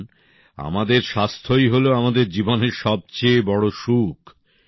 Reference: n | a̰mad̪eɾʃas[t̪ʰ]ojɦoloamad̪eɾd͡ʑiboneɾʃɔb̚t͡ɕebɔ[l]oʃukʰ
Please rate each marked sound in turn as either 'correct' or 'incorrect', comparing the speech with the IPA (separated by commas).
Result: correct, incorrect